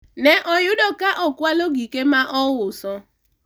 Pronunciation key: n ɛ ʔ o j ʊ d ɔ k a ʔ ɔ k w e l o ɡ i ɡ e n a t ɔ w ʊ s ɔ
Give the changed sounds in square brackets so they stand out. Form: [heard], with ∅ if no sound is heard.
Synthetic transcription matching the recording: n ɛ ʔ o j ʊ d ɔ k a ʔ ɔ k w [a] l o ɡ i [k] e [m] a [ʔ] ɔ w ʊ s ɔ